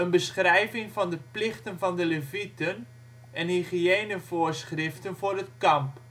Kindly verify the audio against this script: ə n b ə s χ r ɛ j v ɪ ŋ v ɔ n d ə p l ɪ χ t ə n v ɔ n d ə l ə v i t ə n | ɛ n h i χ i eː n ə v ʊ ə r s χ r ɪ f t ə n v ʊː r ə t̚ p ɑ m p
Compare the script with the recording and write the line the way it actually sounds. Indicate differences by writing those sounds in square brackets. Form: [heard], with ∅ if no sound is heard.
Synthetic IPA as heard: ə n b ə s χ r ɛ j v ɪ ŋ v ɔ n d ə p l ɪ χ t ə n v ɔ n d ə l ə v i t ə n | ɛ n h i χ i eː n ə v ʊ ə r s χ r ɪ f t ə n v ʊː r ə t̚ [k] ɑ m p

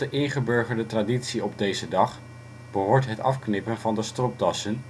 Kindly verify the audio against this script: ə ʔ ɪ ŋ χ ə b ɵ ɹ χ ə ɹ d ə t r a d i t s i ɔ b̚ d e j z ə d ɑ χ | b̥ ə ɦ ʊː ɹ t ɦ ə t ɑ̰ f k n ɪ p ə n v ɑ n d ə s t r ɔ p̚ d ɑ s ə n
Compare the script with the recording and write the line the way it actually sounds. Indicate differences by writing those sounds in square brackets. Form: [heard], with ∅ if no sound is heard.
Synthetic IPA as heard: ə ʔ ɪ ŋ χ ə b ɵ ɹ χ ə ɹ d ə t r a d i t s i ɔ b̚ d e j z ə d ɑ χ | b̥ ə ɦ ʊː ɹ t ɦ ə t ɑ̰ f k n ɪ p ə n v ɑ n d ə s t r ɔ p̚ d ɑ s ə n

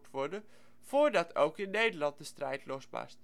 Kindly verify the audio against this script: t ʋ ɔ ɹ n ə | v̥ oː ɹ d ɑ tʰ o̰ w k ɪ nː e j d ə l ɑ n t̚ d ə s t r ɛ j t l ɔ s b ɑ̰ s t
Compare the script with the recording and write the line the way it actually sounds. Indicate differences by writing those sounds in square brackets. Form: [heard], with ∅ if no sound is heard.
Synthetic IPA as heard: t ʋ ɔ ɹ [d] ə | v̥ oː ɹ d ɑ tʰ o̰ w k ɪ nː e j d ə l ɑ n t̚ d ə s t r ɛ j t l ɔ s b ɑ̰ s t

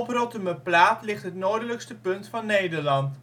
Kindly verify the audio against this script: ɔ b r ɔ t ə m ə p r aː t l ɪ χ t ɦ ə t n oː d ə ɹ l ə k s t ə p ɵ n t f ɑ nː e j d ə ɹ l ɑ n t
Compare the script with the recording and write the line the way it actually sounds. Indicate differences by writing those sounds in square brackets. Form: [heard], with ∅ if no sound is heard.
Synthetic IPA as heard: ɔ [p] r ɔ t ə m ə p [l] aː t l ɪ χ t ɦ ə t n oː d ə [∅] l ə k s t ə p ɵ n t f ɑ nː e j d ə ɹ l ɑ n t

